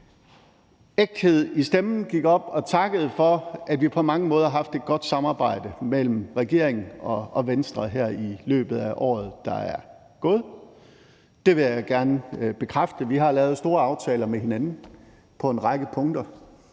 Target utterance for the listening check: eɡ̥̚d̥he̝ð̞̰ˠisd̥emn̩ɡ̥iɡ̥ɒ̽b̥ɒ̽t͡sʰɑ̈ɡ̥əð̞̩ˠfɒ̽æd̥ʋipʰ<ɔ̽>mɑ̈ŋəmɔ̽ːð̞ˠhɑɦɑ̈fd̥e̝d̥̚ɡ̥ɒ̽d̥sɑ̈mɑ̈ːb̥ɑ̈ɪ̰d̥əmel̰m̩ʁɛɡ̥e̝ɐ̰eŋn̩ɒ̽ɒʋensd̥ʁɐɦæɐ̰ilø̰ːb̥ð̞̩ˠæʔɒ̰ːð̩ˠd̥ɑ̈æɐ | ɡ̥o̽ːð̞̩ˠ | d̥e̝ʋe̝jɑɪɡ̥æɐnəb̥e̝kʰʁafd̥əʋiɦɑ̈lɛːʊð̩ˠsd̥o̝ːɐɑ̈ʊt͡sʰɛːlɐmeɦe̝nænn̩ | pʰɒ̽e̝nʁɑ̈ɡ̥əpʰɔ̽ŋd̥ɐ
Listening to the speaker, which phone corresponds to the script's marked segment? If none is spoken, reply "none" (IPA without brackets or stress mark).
ɒ̽